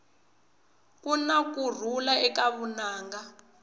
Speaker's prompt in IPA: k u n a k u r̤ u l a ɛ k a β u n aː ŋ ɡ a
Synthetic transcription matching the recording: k u n a k u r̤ u l a ɛ k a β u n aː ŋ ɡ a